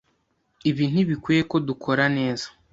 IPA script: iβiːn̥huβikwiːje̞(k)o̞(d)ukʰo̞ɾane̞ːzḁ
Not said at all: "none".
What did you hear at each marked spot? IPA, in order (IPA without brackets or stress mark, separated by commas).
k, d